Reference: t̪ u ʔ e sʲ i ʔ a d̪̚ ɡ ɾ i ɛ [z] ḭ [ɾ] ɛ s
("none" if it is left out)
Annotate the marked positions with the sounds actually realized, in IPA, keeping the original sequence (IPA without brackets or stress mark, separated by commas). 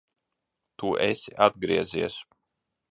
z, none